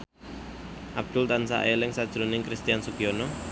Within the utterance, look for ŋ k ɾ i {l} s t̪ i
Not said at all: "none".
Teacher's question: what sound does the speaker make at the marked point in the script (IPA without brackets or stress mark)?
none